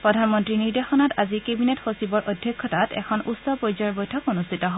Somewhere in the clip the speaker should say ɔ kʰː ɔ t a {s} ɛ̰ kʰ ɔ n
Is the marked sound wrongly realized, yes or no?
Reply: yes